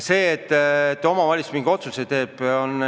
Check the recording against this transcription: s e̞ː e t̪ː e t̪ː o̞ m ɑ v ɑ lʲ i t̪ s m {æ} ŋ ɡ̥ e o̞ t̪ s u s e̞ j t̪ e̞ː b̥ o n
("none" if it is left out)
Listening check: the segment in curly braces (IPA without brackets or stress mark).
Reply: i